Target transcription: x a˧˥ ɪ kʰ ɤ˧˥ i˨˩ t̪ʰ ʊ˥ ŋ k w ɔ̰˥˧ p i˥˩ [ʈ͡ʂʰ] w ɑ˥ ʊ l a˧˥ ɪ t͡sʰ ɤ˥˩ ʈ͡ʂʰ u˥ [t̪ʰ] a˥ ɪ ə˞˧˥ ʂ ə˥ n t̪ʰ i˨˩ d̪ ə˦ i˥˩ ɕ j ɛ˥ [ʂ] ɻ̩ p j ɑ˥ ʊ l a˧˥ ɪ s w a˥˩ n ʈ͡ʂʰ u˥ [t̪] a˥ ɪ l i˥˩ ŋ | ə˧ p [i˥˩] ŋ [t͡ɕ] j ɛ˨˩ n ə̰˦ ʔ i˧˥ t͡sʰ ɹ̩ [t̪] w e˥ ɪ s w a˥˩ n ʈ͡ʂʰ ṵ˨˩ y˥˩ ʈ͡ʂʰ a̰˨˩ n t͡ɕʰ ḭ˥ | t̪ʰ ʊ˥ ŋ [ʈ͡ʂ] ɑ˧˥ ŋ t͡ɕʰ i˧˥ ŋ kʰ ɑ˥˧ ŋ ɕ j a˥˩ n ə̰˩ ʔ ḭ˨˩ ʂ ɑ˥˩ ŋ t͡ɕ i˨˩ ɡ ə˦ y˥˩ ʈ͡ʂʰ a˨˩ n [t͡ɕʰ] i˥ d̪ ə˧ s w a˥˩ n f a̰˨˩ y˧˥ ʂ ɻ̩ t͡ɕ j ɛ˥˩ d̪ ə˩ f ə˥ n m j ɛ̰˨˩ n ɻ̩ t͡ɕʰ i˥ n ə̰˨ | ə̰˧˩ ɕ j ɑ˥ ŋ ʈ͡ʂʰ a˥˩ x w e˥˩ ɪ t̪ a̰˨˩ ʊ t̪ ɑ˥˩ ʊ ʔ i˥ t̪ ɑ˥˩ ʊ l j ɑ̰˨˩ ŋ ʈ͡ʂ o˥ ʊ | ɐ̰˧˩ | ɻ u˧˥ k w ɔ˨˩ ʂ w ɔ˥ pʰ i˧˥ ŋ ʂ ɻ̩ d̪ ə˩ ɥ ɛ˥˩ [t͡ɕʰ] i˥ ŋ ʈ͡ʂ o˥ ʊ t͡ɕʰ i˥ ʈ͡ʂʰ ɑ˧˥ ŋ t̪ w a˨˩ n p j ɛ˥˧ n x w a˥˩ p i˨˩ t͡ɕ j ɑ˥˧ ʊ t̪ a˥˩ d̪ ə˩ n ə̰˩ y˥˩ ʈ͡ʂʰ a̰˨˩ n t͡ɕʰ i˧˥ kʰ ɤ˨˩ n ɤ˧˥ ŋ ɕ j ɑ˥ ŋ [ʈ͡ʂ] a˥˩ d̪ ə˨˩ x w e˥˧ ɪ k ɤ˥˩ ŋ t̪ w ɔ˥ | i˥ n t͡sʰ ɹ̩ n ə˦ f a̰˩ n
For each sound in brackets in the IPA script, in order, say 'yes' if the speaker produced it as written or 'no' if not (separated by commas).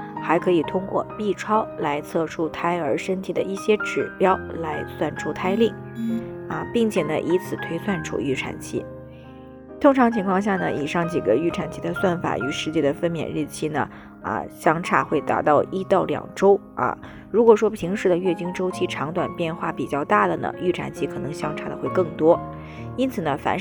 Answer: yes, yes, no, no, yes, no, no, no, yes, no, no